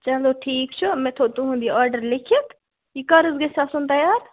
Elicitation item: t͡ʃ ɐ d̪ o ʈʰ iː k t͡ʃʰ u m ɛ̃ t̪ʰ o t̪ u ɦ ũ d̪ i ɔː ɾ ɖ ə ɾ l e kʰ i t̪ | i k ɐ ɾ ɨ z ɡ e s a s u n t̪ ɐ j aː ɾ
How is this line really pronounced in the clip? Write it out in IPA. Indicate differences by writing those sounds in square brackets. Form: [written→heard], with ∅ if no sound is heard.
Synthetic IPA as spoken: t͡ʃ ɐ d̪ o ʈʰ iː k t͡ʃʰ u m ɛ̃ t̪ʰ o t̪ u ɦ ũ d̪ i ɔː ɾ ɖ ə ɾ l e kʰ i t̪ | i k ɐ ɾ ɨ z ɡ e s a s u n t̪ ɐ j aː ɾ